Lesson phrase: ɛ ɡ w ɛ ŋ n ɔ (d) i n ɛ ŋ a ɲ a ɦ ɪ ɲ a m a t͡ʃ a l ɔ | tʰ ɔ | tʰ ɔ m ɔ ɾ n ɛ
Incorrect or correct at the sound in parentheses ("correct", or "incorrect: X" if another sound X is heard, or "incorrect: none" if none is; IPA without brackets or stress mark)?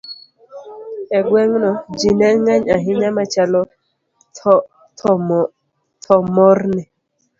incorrect: d͡ʒ